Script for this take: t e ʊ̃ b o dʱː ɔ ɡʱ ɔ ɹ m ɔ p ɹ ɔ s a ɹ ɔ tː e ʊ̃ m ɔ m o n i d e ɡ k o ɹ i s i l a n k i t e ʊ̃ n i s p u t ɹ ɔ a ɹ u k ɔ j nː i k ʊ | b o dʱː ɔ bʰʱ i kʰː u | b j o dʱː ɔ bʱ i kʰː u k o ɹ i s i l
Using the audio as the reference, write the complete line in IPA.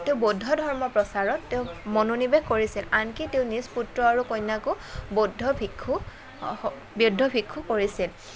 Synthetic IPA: t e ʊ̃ b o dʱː ɔ dʱ ɔ ɹ m ɔ p ɹ ɔ s a ɹ ɔ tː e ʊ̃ m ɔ n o n i b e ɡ k o ɹ i s i l a n k i t e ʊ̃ n i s p u t ɹ ɔ a ɹ u k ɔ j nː a k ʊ | b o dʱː ɔ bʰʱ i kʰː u | b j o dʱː ɔ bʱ i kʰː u k o ɹ i s i l

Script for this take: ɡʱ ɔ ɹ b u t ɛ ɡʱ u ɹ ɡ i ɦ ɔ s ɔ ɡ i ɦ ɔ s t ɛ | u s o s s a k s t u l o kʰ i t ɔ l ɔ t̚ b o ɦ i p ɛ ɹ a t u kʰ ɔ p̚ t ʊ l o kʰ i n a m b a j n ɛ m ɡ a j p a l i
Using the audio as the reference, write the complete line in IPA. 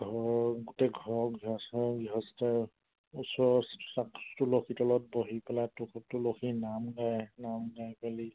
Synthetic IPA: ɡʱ ɔ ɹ ɡ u t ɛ ɡʱ ɔ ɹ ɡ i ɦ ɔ s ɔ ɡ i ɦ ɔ s t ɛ | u s ɔ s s a k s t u l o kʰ i t ɔ l ɔ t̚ b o ɦ i p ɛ l a t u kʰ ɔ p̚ t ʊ l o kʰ i n a m ɡ a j n a m ɡ a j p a l i

